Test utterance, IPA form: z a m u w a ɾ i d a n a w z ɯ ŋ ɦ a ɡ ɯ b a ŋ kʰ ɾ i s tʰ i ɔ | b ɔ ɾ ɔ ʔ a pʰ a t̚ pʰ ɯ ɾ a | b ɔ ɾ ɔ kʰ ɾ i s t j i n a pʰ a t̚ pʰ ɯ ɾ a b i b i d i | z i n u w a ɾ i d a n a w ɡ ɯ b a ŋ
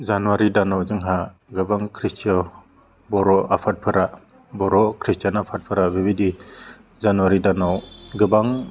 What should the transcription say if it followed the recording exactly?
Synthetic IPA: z a n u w a ɾ i d a n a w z ɯ ŋ ɦ a ɡ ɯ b a ŋ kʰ ɾ i s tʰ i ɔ | b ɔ ɾ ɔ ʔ a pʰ a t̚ pʰ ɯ ɾ a | b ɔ ɾ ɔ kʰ ɾ i s t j a n a pʰ a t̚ pʰ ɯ ɾ a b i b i d i | z a n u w a ɾ i d a n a w ɡ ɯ b a ŋ